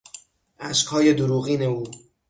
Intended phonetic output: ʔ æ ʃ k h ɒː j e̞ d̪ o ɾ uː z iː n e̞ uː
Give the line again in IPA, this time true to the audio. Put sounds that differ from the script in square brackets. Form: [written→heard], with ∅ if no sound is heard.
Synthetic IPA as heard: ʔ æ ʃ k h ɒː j e̞ d̪ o ɾ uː [z→ɣ] iː n e̞ uː